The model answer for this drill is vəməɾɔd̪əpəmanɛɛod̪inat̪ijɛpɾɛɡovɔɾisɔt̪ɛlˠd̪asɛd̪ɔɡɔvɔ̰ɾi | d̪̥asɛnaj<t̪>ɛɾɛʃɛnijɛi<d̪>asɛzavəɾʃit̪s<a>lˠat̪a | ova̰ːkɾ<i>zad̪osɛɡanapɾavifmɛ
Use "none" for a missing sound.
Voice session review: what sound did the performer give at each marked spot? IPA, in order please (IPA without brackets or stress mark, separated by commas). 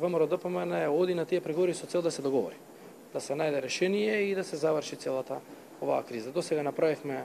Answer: d̪, d̪, ɛ, i